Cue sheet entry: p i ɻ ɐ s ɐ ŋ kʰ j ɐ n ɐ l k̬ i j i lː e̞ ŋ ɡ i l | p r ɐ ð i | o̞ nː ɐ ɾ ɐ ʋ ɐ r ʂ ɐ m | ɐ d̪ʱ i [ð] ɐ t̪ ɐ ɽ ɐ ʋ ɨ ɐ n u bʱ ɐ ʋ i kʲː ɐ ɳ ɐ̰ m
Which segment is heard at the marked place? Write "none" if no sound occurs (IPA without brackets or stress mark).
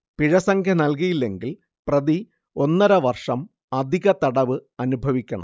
ɣ